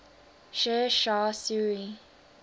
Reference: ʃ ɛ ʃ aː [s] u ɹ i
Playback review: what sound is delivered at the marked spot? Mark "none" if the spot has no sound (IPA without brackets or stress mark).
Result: s